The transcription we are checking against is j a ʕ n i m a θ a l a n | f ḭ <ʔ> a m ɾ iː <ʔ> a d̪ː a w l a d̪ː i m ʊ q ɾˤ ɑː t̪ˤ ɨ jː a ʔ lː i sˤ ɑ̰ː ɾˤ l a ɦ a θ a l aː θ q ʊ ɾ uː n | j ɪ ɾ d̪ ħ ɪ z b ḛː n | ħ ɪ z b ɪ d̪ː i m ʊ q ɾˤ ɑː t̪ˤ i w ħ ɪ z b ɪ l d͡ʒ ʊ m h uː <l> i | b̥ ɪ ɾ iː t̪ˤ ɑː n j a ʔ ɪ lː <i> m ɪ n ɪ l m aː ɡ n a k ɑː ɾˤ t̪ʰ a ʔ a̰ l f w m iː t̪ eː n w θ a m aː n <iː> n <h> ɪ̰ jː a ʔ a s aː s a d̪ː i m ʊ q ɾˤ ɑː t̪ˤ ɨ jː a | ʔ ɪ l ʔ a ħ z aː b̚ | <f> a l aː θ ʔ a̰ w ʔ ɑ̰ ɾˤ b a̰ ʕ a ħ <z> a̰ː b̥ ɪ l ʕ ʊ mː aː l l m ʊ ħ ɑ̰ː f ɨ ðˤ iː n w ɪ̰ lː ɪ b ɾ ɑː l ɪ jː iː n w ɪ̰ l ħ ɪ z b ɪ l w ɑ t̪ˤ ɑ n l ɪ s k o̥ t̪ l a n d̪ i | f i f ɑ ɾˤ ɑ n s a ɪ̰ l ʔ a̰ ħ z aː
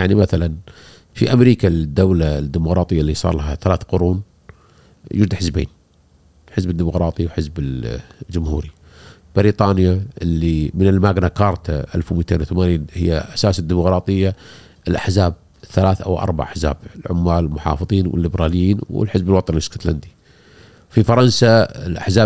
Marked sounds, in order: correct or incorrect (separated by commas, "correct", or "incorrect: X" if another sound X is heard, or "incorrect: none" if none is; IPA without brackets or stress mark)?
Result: correct, incorrect: k, incorrect: ɾ, correct, correct, correct, incorrect: θ, correct